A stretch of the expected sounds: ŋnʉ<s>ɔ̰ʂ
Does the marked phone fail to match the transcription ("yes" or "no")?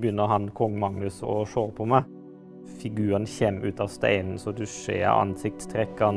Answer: no